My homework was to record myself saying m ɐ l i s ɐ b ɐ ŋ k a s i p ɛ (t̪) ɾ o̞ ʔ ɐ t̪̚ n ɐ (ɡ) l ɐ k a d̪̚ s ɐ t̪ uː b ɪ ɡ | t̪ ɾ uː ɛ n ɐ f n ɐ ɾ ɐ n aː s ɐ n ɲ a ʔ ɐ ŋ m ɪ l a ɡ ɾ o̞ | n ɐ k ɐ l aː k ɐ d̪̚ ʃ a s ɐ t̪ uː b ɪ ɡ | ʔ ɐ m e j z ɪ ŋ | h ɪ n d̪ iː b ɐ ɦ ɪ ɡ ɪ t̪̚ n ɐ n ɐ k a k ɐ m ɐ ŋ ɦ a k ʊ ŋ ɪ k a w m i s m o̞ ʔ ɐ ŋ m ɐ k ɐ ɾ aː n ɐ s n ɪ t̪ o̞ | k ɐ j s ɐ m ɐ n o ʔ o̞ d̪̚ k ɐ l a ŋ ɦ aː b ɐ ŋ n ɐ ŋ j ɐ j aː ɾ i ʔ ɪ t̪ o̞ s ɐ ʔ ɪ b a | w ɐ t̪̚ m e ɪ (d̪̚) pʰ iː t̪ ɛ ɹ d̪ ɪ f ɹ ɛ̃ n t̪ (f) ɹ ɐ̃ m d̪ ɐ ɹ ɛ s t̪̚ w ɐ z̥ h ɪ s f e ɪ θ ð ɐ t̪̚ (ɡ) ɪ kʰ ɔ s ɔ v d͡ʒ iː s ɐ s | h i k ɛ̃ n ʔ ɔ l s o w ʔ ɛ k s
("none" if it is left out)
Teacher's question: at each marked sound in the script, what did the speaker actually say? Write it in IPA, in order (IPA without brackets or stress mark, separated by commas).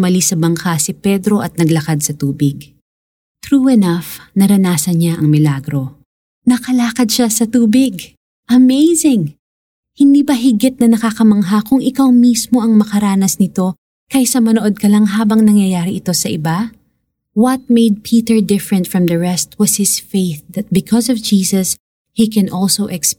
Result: d̪, ɡ, d̪̚, f, b